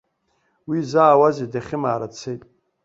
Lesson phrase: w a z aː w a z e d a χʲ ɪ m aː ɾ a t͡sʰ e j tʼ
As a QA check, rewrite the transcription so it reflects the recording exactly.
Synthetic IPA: w i z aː w a z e d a χʲ ɪ m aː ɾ a t͡sʰ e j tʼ